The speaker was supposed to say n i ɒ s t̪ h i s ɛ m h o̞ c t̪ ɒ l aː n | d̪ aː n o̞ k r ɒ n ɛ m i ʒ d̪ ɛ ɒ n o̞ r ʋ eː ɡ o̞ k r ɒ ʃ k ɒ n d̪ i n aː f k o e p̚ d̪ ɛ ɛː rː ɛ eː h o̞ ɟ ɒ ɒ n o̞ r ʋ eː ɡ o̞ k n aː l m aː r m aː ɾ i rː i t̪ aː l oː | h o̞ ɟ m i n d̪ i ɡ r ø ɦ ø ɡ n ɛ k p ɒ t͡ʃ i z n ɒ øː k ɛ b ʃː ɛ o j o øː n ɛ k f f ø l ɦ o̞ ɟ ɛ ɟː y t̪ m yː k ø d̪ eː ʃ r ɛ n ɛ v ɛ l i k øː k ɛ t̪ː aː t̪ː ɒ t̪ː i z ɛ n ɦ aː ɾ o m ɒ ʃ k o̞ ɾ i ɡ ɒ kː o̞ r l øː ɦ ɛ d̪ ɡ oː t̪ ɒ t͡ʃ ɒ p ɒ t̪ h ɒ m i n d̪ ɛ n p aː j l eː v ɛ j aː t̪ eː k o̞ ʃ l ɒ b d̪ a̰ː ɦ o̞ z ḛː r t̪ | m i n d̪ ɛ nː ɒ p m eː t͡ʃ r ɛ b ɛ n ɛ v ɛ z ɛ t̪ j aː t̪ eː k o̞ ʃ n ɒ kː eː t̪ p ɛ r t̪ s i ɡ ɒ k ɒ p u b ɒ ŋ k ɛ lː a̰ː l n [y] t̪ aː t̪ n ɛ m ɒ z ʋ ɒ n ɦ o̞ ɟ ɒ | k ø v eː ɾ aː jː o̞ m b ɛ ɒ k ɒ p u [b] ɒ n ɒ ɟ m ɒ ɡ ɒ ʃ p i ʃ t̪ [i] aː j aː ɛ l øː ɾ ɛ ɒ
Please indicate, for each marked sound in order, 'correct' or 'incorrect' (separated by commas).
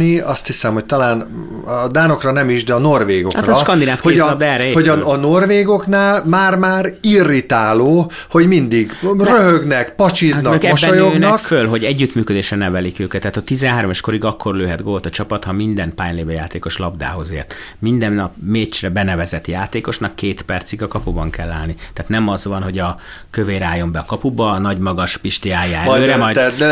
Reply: incorrect, correct, correct